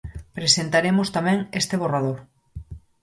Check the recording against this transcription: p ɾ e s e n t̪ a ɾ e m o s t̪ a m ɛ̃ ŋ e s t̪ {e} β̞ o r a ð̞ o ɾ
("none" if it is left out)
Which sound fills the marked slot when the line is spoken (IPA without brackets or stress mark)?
e